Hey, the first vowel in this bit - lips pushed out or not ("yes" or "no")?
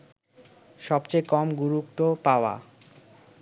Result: yes